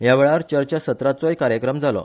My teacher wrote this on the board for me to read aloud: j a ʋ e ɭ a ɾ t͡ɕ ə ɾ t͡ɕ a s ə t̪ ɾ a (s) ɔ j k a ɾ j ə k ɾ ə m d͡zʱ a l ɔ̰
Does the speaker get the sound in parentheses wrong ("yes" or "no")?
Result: yes